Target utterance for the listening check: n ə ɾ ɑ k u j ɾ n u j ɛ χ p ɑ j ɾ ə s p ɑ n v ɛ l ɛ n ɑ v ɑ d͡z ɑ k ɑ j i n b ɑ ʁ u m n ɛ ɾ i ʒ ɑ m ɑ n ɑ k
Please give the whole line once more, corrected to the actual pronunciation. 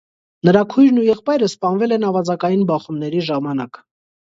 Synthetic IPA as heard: n ə ɾ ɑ kʰ u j ɾ n u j ɛ χ p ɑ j ɾ ə s p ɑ n v ɛ l ɛ n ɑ v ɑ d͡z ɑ k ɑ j i n b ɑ χ u m n ɛ ɾ i ʒ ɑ m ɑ n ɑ k